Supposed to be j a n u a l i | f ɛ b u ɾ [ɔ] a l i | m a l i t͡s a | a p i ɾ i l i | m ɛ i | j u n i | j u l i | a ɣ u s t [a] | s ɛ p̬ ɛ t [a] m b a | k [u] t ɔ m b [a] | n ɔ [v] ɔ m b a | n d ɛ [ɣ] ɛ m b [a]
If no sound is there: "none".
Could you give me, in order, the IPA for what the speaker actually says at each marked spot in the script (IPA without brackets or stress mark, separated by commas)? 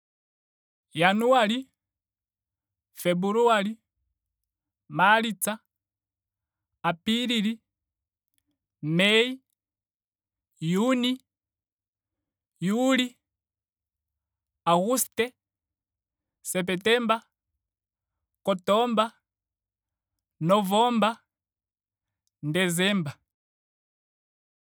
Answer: u, ɛ, ɛ, ɔ, a, v, z, a